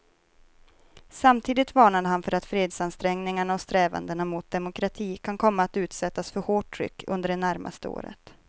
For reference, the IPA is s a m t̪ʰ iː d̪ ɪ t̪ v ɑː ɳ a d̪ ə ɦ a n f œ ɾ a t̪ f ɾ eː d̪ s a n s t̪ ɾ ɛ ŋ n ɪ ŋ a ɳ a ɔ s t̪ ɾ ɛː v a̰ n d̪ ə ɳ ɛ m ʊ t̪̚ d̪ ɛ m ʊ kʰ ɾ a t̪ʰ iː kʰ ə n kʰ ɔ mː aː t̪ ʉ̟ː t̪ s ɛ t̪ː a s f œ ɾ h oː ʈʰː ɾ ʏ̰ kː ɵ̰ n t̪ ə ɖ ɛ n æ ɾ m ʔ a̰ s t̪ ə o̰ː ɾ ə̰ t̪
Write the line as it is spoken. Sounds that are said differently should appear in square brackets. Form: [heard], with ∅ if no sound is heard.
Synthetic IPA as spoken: s a m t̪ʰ iː d̪ ɪ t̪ v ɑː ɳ a d̪ ə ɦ a n f œ ɾ a t̪ f ɾ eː d̪ s a n s t̪ ɾ ɛ ŋ n ɪ ŋ a ɳ a ɔ s t̪ ɾ ɛː v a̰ n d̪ ə ɳ [a] m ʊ t̪̚ d̪ ɛ m ʊ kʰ ɾ a t̪ʰ iː kʰ [a] n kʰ ɔ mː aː t̪ ʉ̟ː t̪ s ɛ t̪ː a s f œ ɾ h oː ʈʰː ɾ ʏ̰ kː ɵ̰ n [d̪] ə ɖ ɛ n æ ɾ m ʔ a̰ s t̪ ə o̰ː ɾ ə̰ t̪